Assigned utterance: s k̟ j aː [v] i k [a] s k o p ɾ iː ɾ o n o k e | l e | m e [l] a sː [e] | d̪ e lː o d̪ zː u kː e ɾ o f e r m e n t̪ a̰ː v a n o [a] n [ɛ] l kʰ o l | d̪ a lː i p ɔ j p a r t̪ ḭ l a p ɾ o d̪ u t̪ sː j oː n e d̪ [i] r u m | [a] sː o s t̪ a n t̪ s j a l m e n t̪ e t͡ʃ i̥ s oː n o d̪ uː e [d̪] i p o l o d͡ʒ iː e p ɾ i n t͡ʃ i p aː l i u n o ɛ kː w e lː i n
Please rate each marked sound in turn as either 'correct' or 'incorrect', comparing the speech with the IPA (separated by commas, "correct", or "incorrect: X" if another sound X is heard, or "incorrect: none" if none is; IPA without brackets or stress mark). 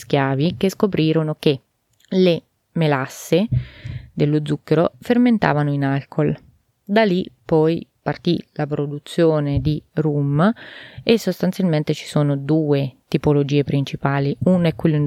correct, incorrect: e, correct, correct, incorrect: i, incorrect: a, correct, incorrect: e, incorrect: t̪